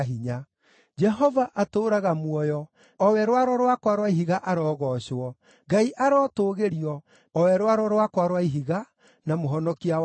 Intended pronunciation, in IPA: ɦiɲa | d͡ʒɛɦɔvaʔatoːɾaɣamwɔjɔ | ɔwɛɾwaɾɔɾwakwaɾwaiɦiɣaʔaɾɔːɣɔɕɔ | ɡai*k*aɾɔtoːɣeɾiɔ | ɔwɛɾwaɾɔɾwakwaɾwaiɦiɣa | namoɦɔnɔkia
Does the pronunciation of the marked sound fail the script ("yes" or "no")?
yes